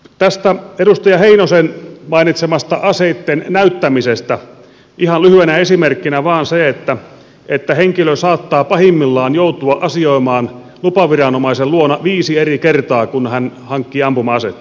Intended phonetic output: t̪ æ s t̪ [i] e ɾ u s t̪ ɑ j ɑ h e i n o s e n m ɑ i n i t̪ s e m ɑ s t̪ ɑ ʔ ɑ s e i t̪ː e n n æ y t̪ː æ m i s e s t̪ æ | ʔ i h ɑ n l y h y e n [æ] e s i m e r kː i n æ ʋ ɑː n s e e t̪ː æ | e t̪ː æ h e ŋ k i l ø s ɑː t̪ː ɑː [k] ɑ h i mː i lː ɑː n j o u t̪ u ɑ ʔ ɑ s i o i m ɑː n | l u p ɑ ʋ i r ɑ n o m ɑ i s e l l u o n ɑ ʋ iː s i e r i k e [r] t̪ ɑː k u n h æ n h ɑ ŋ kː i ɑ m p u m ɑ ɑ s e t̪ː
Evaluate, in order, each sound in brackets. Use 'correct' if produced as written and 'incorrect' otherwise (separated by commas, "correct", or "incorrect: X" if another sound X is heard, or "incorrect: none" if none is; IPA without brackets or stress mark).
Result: incorrect: æ, correct, incorrect: p, correct